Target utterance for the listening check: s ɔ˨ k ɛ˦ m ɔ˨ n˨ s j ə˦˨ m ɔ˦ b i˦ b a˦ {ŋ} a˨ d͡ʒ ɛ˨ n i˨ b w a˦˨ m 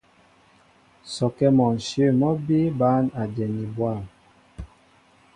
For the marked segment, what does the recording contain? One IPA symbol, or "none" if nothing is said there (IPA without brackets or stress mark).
n